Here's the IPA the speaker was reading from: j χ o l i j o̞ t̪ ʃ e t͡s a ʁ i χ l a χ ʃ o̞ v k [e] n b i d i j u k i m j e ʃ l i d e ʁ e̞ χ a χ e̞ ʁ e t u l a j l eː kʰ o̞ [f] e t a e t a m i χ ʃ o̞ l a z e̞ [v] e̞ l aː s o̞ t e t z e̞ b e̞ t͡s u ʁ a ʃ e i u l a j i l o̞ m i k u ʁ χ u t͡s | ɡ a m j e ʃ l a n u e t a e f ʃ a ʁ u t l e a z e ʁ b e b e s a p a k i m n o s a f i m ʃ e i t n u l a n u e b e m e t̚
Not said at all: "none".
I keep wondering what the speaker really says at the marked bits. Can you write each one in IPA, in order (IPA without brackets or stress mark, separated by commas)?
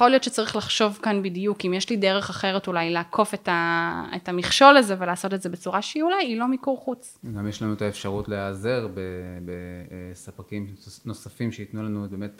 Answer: a, f, v